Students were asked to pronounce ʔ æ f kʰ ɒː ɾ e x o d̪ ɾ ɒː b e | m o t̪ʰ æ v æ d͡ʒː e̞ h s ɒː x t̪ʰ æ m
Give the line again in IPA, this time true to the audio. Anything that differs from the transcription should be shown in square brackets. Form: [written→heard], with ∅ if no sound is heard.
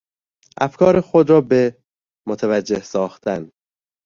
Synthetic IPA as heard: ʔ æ f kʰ ɒː ɾ e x o d̪ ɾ ɒː b e | m o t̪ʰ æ v æ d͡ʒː e̞ h s ɒː x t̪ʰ æ [m→n]